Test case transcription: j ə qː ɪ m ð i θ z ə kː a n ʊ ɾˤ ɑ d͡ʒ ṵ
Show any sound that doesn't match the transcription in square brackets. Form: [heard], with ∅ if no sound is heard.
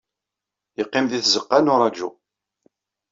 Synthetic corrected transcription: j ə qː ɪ m ð i θ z ə [qː] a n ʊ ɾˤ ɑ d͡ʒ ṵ